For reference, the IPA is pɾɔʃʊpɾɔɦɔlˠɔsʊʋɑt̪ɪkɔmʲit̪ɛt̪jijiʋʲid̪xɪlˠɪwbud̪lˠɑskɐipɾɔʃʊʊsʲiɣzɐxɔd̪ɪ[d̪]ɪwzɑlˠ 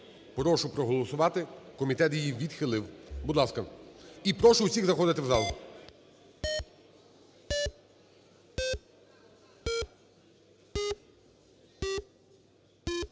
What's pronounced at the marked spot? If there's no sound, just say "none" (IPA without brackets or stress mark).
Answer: t̪